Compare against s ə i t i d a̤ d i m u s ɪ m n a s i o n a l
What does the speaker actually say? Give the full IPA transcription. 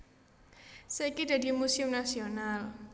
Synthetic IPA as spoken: s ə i k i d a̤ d i m u s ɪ m n a s i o n a l